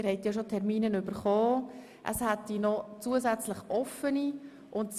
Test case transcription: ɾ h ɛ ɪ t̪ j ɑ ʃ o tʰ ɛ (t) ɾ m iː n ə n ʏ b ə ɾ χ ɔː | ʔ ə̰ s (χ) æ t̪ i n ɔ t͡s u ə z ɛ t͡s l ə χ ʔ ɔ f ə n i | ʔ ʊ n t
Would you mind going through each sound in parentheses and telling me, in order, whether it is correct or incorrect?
incorrect: none, incorrect: h

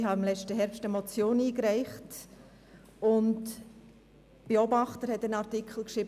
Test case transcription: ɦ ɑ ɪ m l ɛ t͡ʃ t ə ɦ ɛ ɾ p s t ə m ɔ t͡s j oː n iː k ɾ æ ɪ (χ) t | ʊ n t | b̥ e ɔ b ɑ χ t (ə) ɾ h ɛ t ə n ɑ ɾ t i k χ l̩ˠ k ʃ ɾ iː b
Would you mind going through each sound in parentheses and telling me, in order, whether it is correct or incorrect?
correct, correct

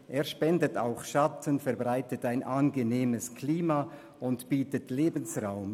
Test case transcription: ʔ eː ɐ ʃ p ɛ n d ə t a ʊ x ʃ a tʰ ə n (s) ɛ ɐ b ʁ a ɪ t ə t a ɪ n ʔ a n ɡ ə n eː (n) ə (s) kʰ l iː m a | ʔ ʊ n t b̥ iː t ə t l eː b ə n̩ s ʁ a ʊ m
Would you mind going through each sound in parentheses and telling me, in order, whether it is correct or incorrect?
incorrect: f, incorrect: m, correct

